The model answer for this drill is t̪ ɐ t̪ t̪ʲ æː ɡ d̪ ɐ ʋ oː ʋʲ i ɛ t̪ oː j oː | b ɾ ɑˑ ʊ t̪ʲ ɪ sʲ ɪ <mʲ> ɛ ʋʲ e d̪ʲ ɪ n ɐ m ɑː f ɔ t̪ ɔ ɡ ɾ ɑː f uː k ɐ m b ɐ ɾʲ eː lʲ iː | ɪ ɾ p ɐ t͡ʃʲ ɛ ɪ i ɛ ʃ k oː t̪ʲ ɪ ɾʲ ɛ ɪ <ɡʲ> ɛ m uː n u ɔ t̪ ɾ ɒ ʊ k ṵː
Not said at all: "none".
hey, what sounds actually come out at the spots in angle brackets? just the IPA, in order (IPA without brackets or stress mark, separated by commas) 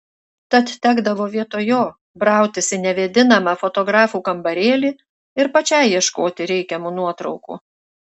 nʲ, kʲ